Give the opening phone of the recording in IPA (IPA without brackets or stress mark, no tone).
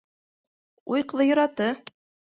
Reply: u